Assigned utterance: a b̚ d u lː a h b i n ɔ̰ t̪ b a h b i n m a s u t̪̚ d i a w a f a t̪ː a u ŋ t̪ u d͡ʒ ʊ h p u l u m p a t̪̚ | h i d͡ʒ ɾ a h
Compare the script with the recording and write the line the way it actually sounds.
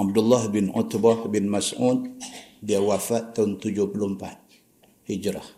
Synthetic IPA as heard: a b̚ d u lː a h b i n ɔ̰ t̪ b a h b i n m a s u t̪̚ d i a w a f a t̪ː a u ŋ t̪ u d͡ʒ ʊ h p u l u m p a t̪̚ | h i d͡ʒ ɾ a h